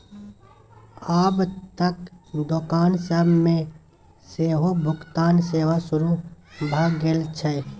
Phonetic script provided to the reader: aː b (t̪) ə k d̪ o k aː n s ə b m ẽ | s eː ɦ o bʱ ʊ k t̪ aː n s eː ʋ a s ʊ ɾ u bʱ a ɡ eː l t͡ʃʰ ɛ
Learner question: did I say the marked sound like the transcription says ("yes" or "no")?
yes